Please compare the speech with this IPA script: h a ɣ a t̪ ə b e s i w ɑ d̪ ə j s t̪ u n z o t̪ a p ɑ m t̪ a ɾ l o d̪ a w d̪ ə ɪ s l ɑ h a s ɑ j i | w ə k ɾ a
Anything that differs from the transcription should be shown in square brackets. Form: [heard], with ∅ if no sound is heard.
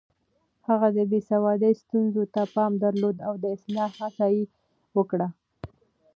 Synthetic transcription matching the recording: h a ɣ a [d̪] ə b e s [a] w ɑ d̪ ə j s t̪ u n z o t̪ a p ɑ m [d̪] a ɾ l o d̪ a w d̪ ə ɪ s l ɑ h a s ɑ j i | w ə k [ɽ] a

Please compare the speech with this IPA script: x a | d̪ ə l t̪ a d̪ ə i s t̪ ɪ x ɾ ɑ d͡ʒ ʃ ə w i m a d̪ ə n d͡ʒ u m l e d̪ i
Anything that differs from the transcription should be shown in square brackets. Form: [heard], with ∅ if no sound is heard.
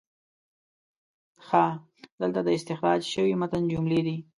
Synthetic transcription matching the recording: x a | d̪ ə l t̪ a d̪ ə [ɪ] s t̪ ɪ x ɾ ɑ d͡ʒ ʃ ə w i m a [t̪] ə n d͡ʒ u m l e d̪ i

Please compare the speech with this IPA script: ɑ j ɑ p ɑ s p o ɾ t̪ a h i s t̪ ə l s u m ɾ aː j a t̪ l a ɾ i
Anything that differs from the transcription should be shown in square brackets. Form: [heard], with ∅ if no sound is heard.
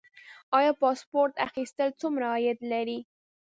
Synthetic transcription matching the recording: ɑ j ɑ p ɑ s p o ɾ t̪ a [x] i s t̪ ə l [t͡s] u m ɾ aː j a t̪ l a ɾ i

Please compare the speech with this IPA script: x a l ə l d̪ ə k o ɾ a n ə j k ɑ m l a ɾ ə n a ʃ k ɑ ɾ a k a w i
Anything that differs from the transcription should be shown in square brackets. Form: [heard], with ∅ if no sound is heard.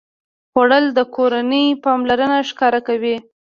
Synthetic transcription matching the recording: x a [ɽ] ə l d̪ ə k o ɾ a n ə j [p] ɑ m l a ɾ ə n a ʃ k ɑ ɾ a k a w i

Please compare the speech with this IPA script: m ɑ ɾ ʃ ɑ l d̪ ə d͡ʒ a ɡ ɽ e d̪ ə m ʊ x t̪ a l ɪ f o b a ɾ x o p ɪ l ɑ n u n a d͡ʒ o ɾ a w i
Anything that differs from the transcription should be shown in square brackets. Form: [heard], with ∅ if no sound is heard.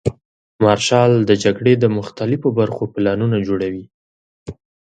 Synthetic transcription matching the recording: m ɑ ɾ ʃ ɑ l d̪ ə d͡ʒ a ɡ ɽ e d̪ ə m ʊ x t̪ a l ɪ f o b a ɾ x o p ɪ l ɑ n u n a d͡ʒ o [ɽ] a w i

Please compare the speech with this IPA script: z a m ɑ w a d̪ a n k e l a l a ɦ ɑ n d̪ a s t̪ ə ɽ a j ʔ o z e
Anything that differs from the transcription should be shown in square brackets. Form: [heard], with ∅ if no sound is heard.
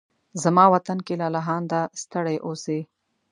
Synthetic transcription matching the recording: z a m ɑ w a [t̪] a n k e l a l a ɦ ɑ n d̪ a s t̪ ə ɽ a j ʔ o [s] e

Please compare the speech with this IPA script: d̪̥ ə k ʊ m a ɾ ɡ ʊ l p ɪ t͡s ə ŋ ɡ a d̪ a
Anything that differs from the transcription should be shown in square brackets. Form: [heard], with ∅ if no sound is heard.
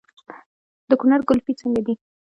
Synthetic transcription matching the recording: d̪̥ ə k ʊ [n] a ɾ ɡ ʊ l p [i] t͡s ə ŋ ɡ a d̪ [i]

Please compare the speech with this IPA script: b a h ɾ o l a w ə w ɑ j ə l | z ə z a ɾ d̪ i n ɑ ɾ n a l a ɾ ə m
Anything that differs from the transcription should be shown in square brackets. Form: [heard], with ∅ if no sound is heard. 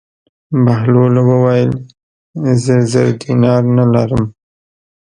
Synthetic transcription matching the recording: b a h [l] o l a w ə w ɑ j ə l | z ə z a ɾ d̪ i n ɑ ɾ n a l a ɾ ə m

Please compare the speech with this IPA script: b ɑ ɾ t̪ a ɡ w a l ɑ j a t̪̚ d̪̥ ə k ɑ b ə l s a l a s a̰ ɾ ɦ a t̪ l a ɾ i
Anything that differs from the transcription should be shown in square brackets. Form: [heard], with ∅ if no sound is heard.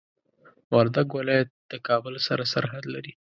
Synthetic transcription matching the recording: [w] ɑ ɾ [d̪] a ɡ w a l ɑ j a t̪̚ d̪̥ ə k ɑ b ə l s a [ɾ] a s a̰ ɾ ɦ a [d̪] l a ɾ i

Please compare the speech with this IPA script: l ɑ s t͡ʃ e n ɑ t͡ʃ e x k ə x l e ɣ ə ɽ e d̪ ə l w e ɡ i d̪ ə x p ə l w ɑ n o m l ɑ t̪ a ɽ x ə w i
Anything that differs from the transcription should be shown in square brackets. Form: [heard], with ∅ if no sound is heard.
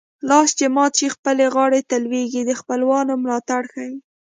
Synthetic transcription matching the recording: l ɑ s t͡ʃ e [m] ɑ t͡ʃ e x [p] ə [∅] l e ɣ [ɑ] ɽ e [t̪] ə l w e ɡ i d̪ ə x p ə l w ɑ n o m l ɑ t̪ a ɽ x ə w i

